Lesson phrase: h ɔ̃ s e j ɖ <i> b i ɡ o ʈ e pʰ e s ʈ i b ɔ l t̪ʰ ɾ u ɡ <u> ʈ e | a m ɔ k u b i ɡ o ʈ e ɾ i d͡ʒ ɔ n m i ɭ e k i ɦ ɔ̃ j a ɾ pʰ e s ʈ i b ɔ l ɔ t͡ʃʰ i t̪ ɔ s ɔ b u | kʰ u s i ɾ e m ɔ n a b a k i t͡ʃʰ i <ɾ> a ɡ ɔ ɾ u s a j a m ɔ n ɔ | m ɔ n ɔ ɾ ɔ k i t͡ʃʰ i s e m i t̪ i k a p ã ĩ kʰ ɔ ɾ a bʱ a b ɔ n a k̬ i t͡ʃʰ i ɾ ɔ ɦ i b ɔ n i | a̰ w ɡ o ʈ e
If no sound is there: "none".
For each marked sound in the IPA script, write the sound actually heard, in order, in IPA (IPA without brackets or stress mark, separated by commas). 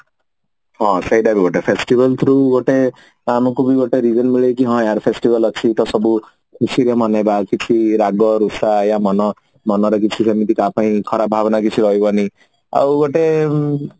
a, o, ɾ